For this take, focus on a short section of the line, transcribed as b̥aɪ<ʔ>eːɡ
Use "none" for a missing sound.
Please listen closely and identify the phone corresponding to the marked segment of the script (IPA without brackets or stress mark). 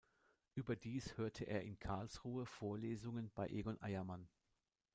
ʔ